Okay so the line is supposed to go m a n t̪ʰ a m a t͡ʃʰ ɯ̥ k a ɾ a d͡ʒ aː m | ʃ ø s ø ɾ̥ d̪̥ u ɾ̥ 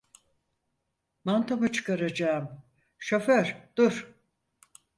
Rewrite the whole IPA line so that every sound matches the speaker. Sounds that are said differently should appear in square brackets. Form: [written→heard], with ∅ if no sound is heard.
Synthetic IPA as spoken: m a n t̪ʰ a m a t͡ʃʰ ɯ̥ k a ɾ a d͡ʒ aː m | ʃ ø [s→f] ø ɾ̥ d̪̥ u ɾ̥